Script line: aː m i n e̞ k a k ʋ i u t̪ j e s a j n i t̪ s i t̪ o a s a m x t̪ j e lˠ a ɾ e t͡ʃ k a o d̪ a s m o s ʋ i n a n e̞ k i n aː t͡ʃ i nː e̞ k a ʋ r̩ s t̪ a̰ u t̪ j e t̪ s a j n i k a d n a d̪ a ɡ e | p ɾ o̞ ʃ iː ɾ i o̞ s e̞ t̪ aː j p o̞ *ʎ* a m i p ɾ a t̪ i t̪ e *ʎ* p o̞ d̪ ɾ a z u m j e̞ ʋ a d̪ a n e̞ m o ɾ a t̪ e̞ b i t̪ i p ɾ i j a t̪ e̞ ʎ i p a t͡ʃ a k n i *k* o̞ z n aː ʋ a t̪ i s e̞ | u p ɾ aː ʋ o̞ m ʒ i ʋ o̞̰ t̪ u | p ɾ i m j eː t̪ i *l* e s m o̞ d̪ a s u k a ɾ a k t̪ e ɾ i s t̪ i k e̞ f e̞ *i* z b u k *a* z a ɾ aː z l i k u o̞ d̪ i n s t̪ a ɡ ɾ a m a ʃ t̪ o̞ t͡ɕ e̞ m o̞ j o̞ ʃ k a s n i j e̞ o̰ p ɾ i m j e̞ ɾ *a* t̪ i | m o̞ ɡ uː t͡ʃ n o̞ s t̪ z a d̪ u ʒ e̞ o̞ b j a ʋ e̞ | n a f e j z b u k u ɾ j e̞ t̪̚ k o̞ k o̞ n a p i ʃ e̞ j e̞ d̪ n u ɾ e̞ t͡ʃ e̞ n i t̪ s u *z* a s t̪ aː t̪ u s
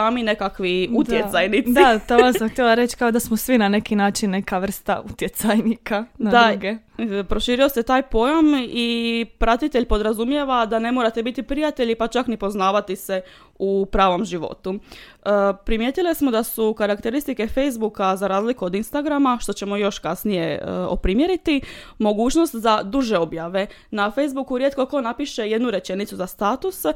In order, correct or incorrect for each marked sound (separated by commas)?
incorrect, correct, incorrect, correct, incorrect, correct, incorrect, correct